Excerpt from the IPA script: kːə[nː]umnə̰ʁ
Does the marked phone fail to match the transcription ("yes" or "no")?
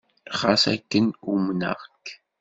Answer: yes